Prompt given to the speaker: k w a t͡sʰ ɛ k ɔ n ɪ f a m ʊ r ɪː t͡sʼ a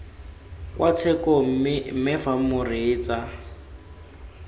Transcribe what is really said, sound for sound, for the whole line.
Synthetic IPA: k w a t͡sʰ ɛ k ɔ m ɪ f a m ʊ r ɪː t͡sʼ a